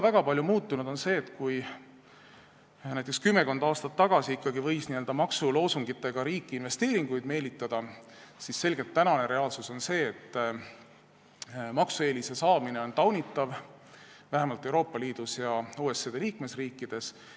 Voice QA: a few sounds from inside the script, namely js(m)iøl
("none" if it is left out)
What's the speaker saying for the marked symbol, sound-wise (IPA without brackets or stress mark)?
n